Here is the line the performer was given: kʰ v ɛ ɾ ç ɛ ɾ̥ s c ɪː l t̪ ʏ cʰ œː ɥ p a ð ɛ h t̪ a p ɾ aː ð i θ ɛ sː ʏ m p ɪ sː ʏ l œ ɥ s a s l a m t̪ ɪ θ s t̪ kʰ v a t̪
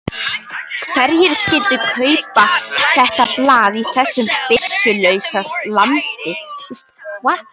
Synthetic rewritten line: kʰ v ɛ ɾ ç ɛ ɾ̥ s c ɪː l t̪ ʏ kʰ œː ɥ p a θ ɛ h t̪ a p l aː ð i θ ɛ sː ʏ m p ɪ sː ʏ l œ ɥ s a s l a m t̪ ɪ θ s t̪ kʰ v a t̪